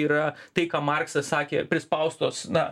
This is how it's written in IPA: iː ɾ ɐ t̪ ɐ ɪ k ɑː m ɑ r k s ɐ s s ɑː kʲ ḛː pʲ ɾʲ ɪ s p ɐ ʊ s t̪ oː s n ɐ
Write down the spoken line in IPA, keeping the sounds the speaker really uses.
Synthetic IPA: iː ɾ ɐ t̪ ɐ ɪ k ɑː m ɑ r k s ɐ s s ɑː kʲ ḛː pʲ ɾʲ ɪ s p ɐ ʊ s t̪ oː s n ɐ

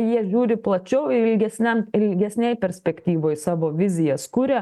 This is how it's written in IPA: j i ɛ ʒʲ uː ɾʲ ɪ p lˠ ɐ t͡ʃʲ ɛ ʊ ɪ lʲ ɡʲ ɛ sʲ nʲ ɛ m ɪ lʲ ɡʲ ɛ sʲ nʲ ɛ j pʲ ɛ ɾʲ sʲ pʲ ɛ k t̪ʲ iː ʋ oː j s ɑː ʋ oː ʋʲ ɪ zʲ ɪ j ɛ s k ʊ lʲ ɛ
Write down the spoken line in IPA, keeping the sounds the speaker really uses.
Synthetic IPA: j i ɛ ʒʲ uː ɾʲ ɪ p lˠ ɐ t͡ʃʲ ɛ ʊ ɪ lʲ ɡʲ ɛ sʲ nʲ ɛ m ɪ lʲ ɡʲ ɛ sʲ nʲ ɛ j pʲ ɛ ɾʲ sʲ pʲ ɛ k t̪ʲ iː ʋ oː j s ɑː ʋ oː ʋʲ ɪ zʲ ɪ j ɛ s k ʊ ɾʲ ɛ

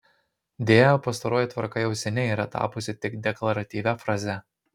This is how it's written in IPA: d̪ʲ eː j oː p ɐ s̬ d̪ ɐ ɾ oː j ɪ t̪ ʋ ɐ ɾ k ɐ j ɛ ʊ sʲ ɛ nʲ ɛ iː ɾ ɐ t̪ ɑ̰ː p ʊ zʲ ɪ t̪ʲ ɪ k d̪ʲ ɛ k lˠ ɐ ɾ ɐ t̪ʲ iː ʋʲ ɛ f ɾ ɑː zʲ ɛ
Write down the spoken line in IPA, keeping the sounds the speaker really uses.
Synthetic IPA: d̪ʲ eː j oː p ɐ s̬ t̪ ɐ ɾ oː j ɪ t̪ ʋ ɐ ɾ k ɐ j ɛ ʊ sʲ ɛ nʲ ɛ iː ɾ ɐ t̪ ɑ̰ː p ʊ sʲ ɪ t̪ʲ ɪ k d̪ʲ ɛ k lˠ ɐ ɾ ɐ t̪ʲ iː ʋʲ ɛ f ɾ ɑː zʲ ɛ

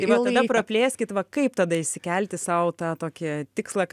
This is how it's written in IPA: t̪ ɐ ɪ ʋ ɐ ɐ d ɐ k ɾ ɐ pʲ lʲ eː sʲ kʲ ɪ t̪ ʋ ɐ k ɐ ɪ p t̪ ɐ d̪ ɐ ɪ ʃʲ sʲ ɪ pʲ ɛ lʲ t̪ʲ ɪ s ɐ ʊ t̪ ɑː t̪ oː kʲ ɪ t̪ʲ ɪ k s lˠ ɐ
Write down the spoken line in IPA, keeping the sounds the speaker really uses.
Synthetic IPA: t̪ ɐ ɪ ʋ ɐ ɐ d ɐ p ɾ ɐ pʲ lʲ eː sʲ kʲ ɪ t̪ ʋ ɐ k ɐ ɪ p t̪ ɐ d̪ ɐ ɪ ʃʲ sʲ ɪ kʲ ɛ lʲ t̪ʲ ɪ s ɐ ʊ t̪ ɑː t̪ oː kʲ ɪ t̪ʲ ɪ k s lˠ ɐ

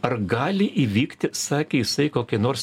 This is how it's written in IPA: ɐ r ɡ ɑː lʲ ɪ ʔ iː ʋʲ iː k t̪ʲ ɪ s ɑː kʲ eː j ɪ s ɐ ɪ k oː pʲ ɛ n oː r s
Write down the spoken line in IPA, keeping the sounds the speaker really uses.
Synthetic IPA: ɐ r ɡ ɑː lʲ ɪ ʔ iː ʋʲ iː k t̪ʲ ɪ s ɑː kʲ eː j ɪ s ɐ ɪ k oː kʲ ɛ n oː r s

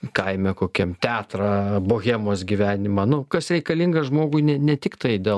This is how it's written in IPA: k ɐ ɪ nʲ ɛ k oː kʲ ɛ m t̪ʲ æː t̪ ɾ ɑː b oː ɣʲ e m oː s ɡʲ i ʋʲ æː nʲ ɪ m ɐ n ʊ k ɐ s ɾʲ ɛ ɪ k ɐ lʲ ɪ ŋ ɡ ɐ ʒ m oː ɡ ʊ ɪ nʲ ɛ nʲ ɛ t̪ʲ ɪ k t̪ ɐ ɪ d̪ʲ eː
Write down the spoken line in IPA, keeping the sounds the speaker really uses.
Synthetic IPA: k ɐ ɪ mʲ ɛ k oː kʲ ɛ m t̪ʲ æː t̪ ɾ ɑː b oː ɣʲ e m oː s ɡʲ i ʋʲ æː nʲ ɪ m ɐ n ʊ k ɐ s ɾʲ ɛ ɪ k ɐ lʲ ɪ ŋ ɡ ɐ ʒ m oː ɡ ʊ ɪ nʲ ɛ nʲ ɛ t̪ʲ ɪ k t̪ ɐ ɪ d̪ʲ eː

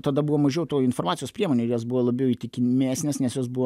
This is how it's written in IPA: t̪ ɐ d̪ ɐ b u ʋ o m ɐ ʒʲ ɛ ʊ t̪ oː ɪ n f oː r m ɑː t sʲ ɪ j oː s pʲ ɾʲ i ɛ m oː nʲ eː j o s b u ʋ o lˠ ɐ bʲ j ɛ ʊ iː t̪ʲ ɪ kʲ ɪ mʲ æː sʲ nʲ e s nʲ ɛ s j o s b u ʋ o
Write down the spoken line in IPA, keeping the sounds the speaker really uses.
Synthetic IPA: t̪ ɐ d̪ ɐ b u ʋ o m ɐ ʒʲ ɛ ʊ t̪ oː ɪ n f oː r m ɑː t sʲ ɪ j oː s pʲ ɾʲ i ɛ m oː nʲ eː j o s b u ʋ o lˠ ɐ bʲ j ɛ ʊ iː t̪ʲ ɪ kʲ ɪ mʲ æː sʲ nʲ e s nʲ ɛ s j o s b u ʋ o

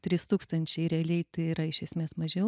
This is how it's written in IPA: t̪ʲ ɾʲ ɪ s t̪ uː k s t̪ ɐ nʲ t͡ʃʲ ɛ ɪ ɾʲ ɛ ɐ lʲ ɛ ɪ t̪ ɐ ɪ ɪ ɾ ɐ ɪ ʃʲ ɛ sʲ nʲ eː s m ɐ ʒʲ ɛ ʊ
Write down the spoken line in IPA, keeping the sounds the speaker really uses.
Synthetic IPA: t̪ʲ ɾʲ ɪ s t̪ uː k s t̪ ɐ nʲ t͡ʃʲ ɛ ɪ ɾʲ ɛ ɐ lʲ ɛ ɪ t̪ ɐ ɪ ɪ ɾ ɐ ɪ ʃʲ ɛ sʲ mʲ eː s m ɐ ʒʲ ɛ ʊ

